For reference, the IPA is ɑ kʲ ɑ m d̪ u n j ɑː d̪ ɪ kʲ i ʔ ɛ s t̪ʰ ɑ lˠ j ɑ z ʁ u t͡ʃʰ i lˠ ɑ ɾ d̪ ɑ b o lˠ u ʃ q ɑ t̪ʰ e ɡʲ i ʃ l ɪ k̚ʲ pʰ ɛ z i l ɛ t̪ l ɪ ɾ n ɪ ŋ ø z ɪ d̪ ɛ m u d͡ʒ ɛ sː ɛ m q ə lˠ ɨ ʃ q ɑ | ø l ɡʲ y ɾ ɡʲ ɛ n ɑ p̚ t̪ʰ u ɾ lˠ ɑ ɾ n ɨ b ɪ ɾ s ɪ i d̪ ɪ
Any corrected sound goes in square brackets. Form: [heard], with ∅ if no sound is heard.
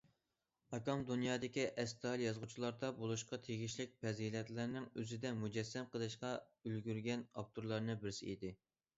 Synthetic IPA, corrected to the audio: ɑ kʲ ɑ m d̪ u n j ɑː d̪ ɪ kʲ i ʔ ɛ s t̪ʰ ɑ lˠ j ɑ z ʁ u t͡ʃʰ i lˠ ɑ ɾ d̪ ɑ b o lˠ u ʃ q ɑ t̪ʰ e ɡʲ i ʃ l ɪ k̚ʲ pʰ ɛ z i l ɛ t̪ l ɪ ɾ n ɪ ŋ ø z ɪ d̪ ɛ m u d͡ʒ ɛ sː ɛ m q ə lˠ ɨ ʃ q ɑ | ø l ɡʲ y ɾ ɡʲ ɛ n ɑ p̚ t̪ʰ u ɾ lˠ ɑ ɾ n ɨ b ɪ ɾ s ɪ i d̪ ɪ